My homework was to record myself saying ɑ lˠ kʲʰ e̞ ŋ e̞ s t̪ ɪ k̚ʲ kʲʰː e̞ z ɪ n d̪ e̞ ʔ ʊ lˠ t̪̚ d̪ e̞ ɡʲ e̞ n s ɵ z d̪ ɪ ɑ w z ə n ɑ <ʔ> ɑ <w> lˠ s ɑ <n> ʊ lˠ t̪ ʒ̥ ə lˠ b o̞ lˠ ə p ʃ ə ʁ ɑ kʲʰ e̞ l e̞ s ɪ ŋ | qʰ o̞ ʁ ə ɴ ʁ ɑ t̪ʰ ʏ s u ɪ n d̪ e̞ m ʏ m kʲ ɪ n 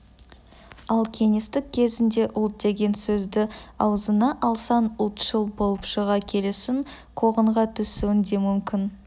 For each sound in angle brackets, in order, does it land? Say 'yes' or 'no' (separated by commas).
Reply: yes, no, yes